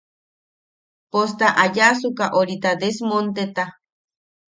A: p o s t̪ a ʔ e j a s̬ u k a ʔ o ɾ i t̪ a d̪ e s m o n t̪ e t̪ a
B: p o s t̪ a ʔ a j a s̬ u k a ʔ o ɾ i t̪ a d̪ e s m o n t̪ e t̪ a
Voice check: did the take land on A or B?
B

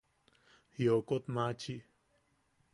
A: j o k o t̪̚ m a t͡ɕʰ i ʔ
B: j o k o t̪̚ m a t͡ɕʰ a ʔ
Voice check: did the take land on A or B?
A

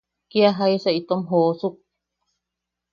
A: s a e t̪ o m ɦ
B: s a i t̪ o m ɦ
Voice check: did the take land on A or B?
B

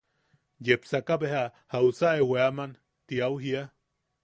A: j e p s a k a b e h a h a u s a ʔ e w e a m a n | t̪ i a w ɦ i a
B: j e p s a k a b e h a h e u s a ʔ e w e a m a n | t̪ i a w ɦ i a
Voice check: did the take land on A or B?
A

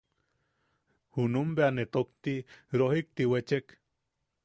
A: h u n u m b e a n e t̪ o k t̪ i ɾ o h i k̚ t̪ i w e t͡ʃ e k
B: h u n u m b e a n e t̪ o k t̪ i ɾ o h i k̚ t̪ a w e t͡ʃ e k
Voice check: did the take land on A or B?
A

